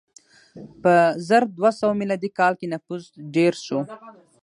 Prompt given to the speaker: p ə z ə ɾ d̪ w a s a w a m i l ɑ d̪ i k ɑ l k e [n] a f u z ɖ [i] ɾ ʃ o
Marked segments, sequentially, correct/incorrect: correct, incorrect: e

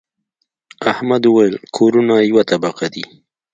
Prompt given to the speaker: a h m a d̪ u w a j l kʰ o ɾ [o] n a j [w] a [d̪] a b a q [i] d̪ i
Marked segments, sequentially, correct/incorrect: incorrect: u, correct, incorrect: t̪, incorrect: a

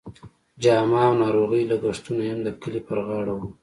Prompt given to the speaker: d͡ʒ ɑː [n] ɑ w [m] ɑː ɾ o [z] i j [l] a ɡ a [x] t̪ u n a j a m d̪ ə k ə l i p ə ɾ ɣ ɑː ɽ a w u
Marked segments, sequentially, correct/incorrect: incorrect: m, incorrect: n, incorrect: ɣ, correct, incorrect: ʂ

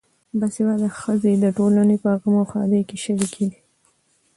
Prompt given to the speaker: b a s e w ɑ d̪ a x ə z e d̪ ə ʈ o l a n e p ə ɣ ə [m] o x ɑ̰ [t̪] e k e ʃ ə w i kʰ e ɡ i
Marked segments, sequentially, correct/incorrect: correct, incorrect: d̪

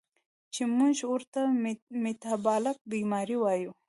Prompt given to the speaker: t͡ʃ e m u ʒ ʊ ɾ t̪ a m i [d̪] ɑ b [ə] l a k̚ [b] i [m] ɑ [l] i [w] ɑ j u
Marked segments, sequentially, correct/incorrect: incorrect: t̪, incorrect: ɑ, correct, correct, incorrect: ɾ, correct

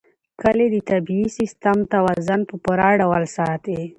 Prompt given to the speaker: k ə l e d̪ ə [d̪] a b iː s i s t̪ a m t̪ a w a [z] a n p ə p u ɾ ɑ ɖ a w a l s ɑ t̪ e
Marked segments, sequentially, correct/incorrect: incorrect: t̪, correct

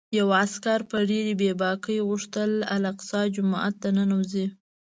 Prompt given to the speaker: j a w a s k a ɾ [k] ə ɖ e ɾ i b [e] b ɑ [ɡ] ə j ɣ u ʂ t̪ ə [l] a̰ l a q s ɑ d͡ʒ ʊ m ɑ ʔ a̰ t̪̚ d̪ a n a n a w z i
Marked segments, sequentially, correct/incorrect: incorrect: p, correct, incorrect: k, correct

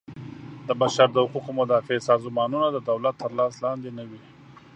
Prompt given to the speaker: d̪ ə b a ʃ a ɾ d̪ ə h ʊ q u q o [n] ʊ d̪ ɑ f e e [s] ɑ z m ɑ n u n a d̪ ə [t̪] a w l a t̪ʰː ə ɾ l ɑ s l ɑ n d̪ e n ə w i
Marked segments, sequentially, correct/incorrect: incorrect: m, correct, incorrect: d̪

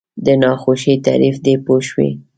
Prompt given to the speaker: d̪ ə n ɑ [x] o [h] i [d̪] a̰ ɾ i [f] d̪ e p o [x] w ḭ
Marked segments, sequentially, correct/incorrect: correct, incorrect: ʃ, incorrect: t̪, correct, incorrect: ʃ

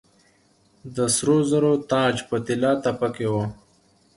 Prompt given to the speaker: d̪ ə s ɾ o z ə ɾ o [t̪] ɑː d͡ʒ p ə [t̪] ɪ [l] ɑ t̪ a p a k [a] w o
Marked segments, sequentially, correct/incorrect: correct, correct, correct, incorrect: e

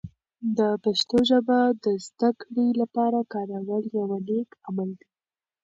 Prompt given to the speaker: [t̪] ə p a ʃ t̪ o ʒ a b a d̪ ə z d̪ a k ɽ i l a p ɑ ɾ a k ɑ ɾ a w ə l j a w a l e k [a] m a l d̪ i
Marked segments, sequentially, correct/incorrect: incorrect: d̪, correct

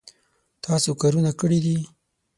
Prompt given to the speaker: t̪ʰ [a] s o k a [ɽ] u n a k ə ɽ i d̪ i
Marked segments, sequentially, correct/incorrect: incorrect: ɑ, incorrect: ɾ

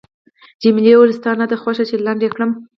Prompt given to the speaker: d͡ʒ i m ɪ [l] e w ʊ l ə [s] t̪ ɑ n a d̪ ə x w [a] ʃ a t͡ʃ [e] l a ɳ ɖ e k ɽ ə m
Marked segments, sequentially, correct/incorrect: correct, correct, correct, correct

